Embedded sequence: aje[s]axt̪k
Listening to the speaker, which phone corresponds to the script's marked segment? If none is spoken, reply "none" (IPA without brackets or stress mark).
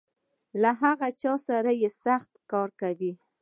s